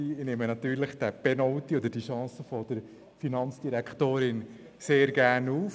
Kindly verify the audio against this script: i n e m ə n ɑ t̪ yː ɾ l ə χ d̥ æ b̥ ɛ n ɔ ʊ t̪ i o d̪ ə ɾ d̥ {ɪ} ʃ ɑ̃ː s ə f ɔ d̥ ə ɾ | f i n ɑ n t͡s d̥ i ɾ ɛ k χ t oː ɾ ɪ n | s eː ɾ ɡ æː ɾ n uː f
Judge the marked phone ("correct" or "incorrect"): incorrect